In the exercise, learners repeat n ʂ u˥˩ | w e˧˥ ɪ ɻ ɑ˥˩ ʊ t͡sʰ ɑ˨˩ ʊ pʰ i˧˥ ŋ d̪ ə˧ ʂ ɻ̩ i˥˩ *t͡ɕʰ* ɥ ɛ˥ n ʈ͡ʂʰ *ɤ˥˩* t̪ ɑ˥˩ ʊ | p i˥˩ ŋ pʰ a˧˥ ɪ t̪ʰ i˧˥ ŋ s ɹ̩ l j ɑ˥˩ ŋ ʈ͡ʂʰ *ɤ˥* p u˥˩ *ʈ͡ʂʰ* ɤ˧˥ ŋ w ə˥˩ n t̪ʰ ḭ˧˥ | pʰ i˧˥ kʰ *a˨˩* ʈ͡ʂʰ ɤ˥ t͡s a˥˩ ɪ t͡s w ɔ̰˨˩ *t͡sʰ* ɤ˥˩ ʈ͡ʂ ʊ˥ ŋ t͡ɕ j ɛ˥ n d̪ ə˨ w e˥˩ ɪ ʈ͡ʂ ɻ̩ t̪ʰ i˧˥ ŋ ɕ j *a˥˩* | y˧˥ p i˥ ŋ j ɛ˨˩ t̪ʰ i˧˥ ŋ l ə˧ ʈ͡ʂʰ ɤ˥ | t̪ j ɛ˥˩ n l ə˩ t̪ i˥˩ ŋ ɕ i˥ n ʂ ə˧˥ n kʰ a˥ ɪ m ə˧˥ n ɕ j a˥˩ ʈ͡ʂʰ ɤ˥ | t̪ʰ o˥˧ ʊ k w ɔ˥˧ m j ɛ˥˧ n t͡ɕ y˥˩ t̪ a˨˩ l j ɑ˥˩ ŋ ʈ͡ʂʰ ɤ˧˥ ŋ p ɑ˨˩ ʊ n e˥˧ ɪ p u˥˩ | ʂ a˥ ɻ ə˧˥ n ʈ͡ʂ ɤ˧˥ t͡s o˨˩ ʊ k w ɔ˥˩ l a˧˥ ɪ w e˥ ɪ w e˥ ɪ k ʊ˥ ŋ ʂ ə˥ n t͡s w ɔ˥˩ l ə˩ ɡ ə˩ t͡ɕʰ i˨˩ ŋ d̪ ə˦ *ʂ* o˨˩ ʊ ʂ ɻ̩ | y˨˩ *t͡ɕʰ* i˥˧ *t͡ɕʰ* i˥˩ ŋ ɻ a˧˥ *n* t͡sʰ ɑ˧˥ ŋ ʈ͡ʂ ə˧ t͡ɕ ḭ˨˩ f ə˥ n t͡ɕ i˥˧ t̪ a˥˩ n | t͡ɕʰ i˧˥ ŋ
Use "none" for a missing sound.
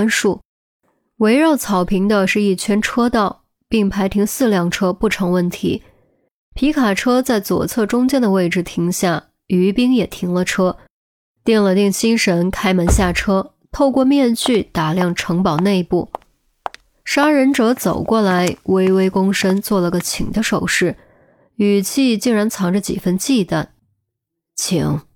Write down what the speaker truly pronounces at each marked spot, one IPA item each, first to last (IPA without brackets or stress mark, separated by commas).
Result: t͡ɕʰ, ɤ˥, ɤ˥, ʈ͡ʂʰ, a˨˩, t͡sʰ, a˥˩, ʂ, t͡ɕʰ, t͡ɕ, n